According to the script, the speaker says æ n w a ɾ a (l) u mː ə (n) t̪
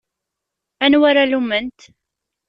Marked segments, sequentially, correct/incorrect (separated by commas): correct, correct